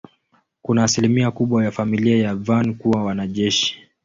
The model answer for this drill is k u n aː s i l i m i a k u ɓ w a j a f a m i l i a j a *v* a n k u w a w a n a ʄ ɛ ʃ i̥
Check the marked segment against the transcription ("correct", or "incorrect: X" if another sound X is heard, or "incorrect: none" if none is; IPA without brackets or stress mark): correct